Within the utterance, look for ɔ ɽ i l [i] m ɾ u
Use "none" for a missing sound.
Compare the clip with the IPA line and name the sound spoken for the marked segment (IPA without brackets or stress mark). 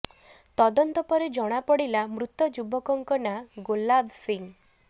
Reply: a